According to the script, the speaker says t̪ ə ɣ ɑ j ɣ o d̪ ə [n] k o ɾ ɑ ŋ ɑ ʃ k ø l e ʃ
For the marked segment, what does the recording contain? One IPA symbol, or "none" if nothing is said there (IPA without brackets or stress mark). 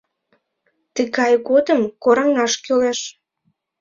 m